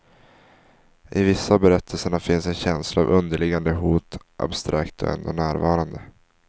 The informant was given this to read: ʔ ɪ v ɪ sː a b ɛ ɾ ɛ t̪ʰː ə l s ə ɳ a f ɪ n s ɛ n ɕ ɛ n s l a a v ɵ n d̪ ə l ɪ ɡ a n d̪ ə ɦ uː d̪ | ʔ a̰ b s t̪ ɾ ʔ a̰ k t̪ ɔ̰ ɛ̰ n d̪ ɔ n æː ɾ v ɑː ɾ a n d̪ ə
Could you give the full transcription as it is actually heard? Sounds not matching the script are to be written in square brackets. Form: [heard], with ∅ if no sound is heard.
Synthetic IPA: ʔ ɪ v ɪ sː a b ɛ ɾ ɛ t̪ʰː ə l s ə ɳ a f ɪ n s ɛ n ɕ ɛ n s l a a v ɵ n d̪ ə [ɭ] ɪ ɡ a n d̪ ə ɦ uː [t̪] | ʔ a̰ b s t̪ ɾ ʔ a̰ k t̪ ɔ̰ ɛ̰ n d̪ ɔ n æː ɾ v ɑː ɾ a n d̪ ə